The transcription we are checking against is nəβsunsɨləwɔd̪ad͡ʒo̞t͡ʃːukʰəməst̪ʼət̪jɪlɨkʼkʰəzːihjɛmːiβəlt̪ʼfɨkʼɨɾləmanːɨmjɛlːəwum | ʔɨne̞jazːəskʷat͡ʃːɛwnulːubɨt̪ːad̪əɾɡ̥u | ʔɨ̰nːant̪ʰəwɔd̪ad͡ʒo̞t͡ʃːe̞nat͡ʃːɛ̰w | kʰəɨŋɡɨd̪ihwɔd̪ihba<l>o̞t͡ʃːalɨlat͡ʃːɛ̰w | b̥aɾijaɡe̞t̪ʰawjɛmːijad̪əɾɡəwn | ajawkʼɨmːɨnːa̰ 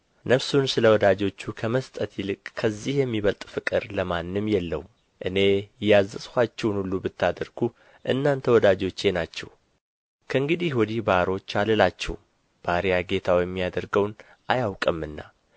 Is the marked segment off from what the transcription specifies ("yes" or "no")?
yes